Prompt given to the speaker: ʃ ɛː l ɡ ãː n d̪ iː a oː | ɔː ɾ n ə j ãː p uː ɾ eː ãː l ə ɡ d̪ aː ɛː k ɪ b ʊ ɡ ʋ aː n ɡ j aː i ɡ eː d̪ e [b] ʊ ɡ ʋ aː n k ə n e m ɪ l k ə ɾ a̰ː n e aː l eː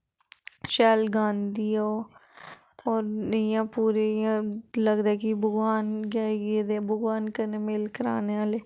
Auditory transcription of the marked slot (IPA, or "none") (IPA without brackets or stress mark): b